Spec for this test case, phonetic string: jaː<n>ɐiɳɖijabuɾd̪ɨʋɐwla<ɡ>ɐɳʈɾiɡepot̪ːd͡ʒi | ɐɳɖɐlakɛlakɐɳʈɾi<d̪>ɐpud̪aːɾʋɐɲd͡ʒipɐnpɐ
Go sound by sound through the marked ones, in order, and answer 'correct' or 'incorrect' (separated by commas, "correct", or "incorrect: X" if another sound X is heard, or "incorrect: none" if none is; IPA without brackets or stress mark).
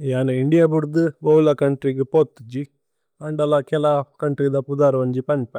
correct, incorrect: k, correct